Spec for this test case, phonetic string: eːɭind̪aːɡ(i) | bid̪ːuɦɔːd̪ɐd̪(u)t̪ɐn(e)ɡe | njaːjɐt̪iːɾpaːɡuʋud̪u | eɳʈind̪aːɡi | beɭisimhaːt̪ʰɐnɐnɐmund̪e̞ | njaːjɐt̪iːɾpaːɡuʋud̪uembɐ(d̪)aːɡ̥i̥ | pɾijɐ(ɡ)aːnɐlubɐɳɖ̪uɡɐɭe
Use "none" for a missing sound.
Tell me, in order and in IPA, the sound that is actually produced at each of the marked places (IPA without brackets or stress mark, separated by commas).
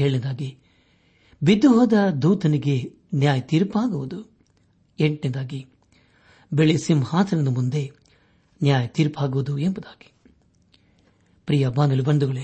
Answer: i, uː, i, d̪, b